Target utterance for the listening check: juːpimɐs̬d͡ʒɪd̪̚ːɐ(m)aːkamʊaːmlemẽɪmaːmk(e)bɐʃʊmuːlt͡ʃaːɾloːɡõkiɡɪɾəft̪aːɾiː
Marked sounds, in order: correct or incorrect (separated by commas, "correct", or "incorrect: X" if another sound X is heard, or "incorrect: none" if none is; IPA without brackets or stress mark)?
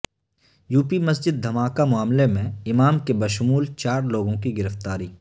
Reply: correct, correct